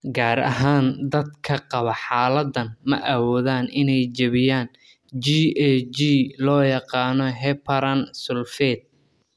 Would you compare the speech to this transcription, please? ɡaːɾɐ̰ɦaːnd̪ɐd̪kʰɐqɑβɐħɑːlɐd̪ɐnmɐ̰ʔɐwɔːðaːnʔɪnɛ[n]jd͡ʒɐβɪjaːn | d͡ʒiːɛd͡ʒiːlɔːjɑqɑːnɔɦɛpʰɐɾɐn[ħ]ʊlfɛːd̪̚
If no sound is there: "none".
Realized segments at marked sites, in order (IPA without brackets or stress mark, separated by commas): none, s